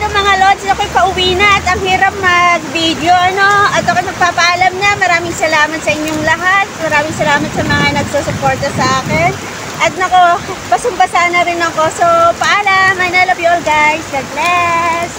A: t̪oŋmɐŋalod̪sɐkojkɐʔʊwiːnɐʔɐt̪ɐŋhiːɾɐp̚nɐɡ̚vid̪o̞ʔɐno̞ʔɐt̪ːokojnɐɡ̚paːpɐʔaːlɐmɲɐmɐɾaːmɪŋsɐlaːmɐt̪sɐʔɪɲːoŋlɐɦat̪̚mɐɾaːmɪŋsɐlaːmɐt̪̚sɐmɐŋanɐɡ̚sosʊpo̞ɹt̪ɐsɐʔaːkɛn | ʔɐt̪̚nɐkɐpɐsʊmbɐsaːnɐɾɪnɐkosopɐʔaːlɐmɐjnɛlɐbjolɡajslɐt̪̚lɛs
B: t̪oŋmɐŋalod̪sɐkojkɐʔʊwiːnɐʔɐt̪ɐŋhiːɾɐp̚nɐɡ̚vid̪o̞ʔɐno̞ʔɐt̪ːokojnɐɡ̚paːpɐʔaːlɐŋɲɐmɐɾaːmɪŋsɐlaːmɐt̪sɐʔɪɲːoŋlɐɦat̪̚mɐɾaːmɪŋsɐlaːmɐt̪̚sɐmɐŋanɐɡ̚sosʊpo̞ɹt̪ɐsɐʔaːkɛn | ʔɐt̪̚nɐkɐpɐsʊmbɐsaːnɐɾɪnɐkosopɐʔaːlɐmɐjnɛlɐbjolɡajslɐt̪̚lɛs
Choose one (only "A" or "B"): A